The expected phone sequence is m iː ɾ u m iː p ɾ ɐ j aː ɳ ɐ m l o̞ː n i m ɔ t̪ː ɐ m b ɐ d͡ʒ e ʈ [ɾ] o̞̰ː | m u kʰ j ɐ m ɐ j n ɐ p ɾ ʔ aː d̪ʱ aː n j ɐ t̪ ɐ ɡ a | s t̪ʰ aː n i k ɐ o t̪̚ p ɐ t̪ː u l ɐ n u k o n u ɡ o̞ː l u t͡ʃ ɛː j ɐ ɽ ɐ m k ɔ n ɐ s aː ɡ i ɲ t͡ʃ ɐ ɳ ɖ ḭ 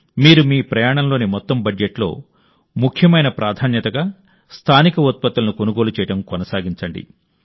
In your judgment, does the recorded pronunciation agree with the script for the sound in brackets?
no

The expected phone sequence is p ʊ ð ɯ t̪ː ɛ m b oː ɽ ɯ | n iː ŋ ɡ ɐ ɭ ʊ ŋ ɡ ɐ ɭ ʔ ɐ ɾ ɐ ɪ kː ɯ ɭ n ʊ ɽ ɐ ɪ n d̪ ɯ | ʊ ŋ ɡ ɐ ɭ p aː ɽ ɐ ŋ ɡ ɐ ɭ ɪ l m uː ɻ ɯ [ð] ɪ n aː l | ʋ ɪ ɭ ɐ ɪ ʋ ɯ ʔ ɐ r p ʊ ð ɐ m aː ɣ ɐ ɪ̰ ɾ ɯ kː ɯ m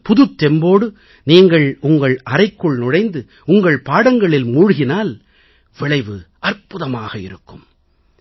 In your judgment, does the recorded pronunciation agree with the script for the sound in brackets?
no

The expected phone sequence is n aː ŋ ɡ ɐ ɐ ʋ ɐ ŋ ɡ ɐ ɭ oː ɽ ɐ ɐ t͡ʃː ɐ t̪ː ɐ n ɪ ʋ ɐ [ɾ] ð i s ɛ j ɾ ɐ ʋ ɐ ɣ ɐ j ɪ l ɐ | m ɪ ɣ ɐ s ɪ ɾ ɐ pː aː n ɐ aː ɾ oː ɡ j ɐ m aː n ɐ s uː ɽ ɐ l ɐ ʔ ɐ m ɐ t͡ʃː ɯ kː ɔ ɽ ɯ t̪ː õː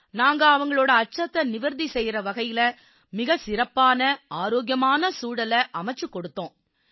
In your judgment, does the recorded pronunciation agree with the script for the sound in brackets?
yes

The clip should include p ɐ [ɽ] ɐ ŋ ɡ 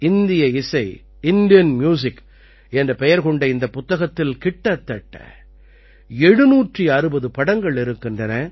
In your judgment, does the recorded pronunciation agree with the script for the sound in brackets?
yes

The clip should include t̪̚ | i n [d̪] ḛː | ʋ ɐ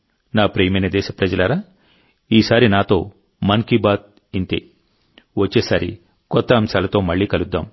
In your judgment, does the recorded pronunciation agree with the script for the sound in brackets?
no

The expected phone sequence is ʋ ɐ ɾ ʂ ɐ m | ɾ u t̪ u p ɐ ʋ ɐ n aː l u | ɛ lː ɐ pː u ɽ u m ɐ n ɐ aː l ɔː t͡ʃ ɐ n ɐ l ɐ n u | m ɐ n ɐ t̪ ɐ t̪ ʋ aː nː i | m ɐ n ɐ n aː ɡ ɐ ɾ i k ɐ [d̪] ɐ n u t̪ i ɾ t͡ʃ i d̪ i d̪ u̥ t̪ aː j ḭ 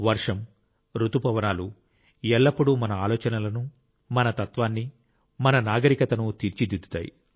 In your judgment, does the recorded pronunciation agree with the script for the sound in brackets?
no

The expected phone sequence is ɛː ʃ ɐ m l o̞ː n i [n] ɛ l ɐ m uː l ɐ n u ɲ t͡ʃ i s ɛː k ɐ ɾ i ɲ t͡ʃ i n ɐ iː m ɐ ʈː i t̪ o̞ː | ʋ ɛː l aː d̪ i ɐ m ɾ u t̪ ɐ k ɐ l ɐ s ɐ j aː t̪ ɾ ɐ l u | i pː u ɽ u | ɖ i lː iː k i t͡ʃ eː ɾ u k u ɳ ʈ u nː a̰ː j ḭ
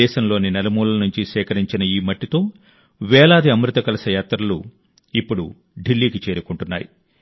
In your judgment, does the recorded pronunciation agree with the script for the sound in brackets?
yes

